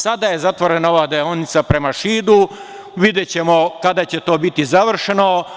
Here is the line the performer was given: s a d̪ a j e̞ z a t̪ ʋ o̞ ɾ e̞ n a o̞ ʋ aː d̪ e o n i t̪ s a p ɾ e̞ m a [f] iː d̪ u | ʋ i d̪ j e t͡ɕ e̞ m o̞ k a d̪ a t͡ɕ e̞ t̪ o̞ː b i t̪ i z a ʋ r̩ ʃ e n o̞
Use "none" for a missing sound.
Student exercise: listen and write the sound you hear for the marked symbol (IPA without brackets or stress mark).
ʃ